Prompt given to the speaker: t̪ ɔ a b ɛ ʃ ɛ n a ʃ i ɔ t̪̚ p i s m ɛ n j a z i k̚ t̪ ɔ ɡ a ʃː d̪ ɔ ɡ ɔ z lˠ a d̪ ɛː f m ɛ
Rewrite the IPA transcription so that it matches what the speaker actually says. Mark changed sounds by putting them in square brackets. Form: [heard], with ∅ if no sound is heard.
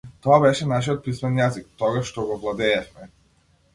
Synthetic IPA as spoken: t̪ ɔ a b ɛ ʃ ɛ n a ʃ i ɔ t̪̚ p i s m ɛ n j a z i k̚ t̪ ɔ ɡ a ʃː [t̪] ɔ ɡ ɔ [v] lˠ a d̪ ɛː f m ɛ